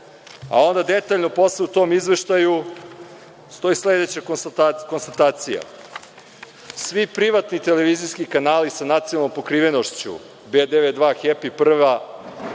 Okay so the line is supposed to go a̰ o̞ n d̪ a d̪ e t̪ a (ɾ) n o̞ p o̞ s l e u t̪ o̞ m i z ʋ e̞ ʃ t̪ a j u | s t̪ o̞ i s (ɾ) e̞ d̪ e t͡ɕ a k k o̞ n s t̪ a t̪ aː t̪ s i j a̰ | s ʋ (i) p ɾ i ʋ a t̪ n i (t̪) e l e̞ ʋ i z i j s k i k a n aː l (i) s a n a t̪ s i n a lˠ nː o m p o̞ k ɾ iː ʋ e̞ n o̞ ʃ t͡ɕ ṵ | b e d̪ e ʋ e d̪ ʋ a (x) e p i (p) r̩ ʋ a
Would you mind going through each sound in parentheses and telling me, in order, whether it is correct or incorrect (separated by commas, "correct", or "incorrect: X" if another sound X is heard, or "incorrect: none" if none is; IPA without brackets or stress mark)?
incorrect: ʎ, incorrect: l, correct, correct, correct, correct, correct